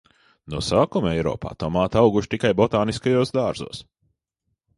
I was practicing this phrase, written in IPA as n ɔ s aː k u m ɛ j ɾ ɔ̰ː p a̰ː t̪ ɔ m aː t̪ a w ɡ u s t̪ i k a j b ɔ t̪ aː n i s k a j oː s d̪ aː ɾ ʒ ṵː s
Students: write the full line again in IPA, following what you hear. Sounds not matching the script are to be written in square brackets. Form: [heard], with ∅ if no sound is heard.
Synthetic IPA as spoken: n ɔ s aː k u m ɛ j ɾ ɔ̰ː p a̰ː t̪ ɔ m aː t̪ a w ɡ u [ʃ] t̪ i k a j b ɔ t̪ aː n i s k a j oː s d̪ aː ɾ [z] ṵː s